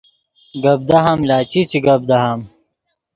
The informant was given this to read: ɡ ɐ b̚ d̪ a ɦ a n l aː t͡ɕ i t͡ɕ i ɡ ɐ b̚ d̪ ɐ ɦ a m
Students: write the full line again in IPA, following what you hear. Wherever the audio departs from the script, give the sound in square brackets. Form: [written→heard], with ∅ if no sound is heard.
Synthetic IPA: ɡ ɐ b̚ d̪ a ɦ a [n→m] l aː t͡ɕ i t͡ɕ i ɡ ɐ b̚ d̪ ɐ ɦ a m